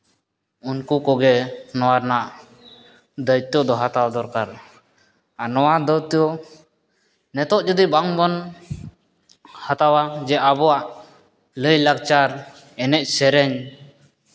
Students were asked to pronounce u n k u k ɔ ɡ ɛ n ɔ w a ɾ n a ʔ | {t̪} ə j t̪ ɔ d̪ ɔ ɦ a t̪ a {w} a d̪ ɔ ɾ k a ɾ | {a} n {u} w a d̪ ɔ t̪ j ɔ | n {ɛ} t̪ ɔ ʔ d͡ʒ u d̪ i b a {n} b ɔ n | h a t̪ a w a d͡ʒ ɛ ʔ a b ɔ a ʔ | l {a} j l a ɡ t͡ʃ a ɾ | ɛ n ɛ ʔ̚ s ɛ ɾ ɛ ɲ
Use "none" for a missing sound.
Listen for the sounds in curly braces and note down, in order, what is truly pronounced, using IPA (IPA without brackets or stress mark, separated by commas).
d̪, w, a, ɔ, ɛ, ŋ, ə